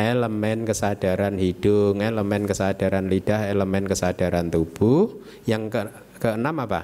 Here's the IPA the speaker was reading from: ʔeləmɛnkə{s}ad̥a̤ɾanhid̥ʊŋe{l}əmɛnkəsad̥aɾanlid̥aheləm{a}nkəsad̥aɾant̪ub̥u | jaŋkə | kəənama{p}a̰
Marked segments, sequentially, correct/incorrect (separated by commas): correct, correct, incorrect, correct